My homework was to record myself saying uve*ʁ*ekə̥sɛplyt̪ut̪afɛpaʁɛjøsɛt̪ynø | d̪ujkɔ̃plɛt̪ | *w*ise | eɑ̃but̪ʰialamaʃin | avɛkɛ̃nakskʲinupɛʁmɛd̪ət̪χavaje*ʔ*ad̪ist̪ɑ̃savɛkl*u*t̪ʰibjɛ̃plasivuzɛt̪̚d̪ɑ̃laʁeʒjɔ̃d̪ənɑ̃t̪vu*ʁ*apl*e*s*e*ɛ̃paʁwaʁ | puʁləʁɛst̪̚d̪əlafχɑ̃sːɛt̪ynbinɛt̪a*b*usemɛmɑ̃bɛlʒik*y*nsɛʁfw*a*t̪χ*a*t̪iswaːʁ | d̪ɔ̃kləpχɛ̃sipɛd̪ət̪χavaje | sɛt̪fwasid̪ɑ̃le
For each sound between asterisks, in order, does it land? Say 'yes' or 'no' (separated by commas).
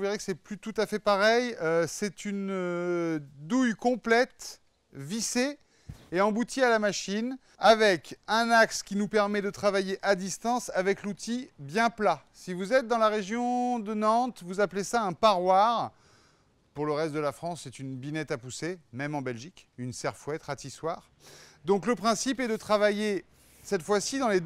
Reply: yes, no, yes, yes, no, yes, no, no, yes, no, yes